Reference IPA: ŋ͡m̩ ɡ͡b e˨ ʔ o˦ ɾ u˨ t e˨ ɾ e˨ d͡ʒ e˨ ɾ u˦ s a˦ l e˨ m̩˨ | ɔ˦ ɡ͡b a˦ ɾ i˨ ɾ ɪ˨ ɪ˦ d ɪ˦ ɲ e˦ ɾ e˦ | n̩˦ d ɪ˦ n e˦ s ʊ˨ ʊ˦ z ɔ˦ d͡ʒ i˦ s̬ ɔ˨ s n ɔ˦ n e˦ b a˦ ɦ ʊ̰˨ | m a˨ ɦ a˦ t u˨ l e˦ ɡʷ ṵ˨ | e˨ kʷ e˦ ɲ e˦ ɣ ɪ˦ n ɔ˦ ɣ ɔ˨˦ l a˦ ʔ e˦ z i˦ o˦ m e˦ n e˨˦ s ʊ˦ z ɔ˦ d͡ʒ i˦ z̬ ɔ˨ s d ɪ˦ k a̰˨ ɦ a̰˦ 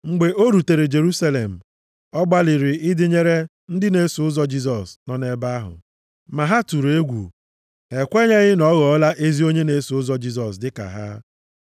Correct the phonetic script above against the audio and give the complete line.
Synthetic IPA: ŋ͡m̩ ɡ͡b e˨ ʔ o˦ ɾ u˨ t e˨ ɾ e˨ d͡ʒ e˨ ɾ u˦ s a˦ l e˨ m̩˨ | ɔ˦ ɡ͡b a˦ l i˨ ɾ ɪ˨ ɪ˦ d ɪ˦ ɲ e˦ ɾ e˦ | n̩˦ d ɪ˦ n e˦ s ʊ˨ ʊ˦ z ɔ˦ d͡ʒ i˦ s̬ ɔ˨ s n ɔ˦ n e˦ b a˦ ɦ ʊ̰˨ | m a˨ ɦ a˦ t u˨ ɾ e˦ ɡʷ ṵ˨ | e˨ kʷ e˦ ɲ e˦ ɣ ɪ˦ n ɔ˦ ɣ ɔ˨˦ l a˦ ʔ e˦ z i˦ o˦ ɲ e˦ n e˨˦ s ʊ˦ z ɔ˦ d͡ʒ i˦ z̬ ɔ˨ s d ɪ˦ k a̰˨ ɦ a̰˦